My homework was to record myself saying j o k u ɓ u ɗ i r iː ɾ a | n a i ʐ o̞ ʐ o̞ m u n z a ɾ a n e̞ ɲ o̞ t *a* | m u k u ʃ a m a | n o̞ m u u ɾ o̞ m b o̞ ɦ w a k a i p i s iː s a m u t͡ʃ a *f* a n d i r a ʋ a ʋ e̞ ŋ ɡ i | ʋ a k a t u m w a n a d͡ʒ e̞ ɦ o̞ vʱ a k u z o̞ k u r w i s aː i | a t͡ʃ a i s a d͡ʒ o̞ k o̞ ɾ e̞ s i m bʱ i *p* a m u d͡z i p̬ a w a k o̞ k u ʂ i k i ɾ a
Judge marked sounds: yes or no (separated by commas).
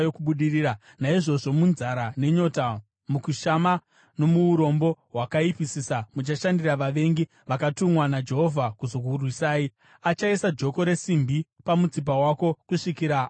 yes, no, yes